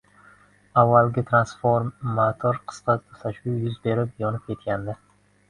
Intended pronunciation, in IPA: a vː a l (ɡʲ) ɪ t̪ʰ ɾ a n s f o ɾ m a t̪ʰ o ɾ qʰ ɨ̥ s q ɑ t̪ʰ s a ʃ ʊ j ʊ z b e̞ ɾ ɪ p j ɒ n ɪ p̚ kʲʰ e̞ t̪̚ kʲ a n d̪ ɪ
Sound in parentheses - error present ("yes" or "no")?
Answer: no